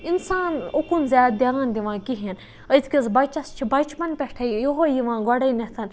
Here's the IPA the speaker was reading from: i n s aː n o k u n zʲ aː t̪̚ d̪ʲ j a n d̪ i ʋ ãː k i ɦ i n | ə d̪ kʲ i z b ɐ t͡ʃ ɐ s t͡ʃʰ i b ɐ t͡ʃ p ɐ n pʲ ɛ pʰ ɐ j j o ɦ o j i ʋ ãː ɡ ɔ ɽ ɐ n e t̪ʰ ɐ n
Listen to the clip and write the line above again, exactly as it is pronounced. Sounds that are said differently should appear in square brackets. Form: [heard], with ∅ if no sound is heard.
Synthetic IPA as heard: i n s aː n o k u n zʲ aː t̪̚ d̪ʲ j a n d̪ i ʋ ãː k i ɦ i n | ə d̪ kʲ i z b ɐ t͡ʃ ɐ s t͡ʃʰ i b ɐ t͡ʃ p ɐ n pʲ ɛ [ʈʰ] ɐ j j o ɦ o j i ʋ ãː ɡ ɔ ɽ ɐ n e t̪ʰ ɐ n